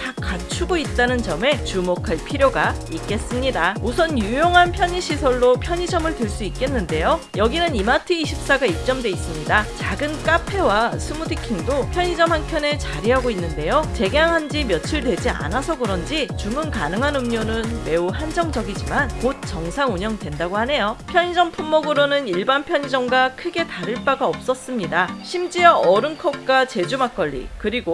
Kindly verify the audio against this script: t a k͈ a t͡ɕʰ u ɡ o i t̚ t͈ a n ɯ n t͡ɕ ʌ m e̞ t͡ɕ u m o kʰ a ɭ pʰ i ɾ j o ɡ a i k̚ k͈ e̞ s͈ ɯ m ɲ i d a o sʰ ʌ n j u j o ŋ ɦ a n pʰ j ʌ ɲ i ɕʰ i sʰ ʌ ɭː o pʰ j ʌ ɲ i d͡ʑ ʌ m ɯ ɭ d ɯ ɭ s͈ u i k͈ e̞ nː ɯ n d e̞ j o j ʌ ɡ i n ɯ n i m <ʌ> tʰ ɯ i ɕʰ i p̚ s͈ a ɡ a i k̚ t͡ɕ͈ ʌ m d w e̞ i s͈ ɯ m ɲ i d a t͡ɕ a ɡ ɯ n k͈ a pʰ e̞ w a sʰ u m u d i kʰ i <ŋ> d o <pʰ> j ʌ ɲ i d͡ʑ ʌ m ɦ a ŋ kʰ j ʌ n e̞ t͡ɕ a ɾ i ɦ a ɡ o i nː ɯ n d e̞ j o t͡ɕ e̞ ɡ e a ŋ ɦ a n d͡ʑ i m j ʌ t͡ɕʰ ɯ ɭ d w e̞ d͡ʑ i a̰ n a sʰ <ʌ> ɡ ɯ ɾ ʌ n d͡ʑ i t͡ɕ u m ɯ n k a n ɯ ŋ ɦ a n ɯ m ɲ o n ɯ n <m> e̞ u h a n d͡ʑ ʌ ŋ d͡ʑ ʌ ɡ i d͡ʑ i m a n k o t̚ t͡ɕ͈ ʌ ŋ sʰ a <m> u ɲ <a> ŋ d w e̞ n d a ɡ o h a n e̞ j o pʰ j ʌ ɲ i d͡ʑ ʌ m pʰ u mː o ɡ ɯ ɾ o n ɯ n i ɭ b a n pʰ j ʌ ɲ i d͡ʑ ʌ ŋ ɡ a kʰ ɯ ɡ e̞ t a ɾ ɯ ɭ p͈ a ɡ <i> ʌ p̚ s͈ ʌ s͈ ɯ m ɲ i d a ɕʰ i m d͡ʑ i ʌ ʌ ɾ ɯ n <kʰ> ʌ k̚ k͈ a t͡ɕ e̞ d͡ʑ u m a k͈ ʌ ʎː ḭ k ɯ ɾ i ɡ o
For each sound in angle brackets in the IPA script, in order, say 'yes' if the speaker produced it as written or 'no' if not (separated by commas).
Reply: no, yes, yes, yes, yes, no, no, no, yes